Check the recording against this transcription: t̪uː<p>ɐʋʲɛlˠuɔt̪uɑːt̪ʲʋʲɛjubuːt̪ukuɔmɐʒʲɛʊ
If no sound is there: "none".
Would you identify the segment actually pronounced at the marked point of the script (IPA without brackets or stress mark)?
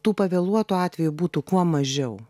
p